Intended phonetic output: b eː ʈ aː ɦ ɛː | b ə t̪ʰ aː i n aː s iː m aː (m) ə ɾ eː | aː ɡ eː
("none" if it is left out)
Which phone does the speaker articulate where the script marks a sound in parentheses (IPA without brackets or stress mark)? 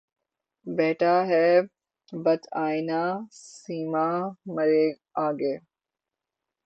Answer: m